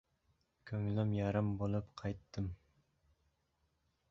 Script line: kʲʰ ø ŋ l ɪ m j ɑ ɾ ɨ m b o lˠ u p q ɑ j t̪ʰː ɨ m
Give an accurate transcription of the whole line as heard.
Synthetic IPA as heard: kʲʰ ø ŋ l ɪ m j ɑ ɾ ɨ m b o lˠ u p qʰ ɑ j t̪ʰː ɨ m